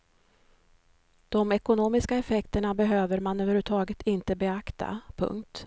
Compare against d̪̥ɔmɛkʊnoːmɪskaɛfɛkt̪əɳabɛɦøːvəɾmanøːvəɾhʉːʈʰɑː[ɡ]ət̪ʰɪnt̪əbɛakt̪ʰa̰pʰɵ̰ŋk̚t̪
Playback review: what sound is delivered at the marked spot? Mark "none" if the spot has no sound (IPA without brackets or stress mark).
ɡ